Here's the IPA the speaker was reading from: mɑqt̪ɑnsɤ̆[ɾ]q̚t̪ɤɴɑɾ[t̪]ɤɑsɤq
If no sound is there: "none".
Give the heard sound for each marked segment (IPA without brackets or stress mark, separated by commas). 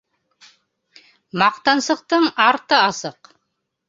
none, t̪